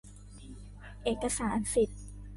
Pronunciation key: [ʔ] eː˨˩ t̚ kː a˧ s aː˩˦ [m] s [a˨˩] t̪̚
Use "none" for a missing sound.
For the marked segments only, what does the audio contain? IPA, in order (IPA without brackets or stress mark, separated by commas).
ʔ, n, i˨˩